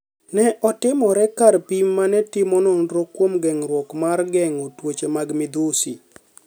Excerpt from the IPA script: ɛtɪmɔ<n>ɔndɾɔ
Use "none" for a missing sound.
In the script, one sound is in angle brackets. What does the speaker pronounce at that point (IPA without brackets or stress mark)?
n